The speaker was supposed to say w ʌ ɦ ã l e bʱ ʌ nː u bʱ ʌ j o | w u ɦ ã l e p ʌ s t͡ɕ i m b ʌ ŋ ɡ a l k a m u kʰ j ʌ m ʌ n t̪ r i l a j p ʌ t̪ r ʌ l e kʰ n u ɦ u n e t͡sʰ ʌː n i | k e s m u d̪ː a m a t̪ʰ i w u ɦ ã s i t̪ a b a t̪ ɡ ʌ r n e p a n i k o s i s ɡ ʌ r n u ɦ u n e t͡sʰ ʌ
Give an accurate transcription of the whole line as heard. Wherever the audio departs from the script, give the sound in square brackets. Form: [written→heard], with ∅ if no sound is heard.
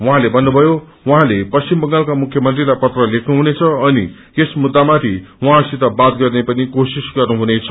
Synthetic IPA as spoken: w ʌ ɦ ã l e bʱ ʌ nː u bʱ ʌ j o | w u ɦ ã l e p ʌ s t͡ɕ i m b ʌ ŋ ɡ a l k a m u kʰ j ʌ m ʌ n t̪ r i l a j p ʌ t̪ r ʌ l e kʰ n u ɦ u n e t͡sʰ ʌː n i | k e s m u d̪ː a m a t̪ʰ i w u ɦ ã s i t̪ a b a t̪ ɡ ʌ r n e p [a→ʌ] n i k o s i s ɡ ʌ r n u ɦ u n e t͡sʰ ʌ